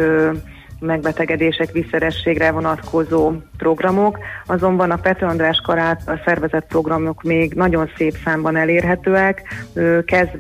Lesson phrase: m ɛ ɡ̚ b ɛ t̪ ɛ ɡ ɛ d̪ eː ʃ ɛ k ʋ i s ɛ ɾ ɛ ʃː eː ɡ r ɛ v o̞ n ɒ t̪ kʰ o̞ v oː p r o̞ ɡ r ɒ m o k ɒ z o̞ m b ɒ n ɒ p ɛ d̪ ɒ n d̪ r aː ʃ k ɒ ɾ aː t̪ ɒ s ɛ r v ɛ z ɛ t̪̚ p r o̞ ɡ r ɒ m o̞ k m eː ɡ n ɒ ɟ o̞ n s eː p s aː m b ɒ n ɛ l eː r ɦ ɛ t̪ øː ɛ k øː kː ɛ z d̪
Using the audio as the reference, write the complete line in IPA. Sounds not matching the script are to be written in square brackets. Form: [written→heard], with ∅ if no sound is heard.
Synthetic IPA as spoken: m ɛ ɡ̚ b ɛ t̪ ɛ ɡ ɛ d̪ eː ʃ ɛ k ʋ i s ɛ ɾ ɛ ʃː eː ɡ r ɛ v o̞ n ɒ t̪ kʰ o̞ [v→z] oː p r o̞ ɡ r ɒ m o k ɒ z o̞ m b ɒ n ɒ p ɛ [d̪→t̪] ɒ n d̪ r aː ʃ k ɒ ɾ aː t̪ ɒ s ɛ r v ɛ z ɛ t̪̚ p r o̞ ɡ r ɒ m o̞ k m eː ɡ n ɒ ɟ o̞ n s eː p s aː m b ɒ n ɛ l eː r ɦ ɛ t̪ øː ɛ k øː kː ɛ z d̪